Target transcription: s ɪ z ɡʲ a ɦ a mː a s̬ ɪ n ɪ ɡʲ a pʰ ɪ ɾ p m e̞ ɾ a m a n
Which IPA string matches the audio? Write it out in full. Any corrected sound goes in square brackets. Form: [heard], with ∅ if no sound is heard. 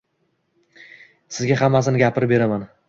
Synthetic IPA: s ɪ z ɡʲ a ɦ a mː a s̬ ɪ n ɪ ɡʲ a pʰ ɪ ɾ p [b] e̞ ɾ a m a n